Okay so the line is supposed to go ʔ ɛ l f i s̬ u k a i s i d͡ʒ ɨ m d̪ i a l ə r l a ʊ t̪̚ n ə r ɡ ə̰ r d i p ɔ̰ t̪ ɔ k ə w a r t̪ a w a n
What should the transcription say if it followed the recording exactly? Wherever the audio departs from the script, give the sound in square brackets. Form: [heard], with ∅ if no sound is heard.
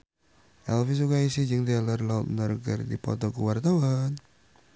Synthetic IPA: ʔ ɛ l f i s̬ u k a i s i d͡ʒ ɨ [ŋ] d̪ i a l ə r l a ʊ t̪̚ n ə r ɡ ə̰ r d i p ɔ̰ t̪ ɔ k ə w a r t̪ a w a n